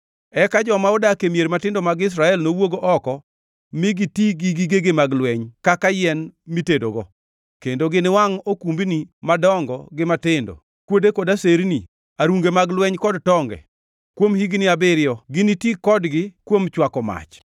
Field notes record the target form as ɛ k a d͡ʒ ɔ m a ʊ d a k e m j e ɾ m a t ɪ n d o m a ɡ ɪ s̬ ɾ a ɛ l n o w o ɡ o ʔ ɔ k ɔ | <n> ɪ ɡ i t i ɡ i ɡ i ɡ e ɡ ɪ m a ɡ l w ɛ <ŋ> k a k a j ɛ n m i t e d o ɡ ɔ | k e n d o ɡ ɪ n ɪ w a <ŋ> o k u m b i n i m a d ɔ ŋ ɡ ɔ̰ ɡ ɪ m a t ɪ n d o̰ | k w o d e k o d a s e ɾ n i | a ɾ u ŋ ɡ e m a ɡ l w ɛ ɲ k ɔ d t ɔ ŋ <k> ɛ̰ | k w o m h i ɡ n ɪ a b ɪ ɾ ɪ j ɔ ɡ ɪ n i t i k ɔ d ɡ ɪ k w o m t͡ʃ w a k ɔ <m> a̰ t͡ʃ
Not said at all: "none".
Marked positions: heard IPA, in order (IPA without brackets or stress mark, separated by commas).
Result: m, ɲ, ŋ, ɡ, m